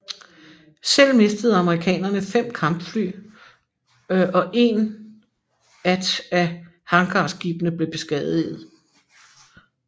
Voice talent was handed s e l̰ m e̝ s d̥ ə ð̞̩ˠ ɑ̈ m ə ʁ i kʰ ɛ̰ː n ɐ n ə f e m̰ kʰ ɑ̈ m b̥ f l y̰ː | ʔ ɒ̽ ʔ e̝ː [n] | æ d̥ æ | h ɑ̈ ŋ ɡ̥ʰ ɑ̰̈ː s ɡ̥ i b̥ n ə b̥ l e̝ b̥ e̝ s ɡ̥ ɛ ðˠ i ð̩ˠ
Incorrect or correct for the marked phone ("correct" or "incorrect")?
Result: correct